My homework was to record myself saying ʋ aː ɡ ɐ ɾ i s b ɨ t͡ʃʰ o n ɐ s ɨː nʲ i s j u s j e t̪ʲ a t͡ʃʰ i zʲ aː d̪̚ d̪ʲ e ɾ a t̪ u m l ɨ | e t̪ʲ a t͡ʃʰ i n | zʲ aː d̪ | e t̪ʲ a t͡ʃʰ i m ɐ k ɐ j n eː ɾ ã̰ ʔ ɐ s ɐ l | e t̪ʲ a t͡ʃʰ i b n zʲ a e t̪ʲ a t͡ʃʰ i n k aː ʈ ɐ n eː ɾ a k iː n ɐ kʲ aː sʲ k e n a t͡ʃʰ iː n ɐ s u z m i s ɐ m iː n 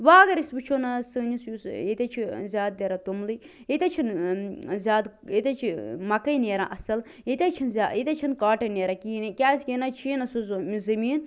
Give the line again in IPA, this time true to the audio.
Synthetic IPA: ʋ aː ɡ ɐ ɾ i s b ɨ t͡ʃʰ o n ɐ s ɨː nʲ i s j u s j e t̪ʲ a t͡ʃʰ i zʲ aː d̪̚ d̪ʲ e ɾ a t̪ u m l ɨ | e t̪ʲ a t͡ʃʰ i n | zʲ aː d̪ | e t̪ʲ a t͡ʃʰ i m ɐ k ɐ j n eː ɾ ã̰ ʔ ɐ s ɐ l | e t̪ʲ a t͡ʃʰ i n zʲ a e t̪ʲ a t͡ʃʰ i n k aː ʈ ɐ n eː ɾ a k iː n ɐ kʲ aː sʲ k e n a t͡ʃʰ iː n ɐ s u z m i z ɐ m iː n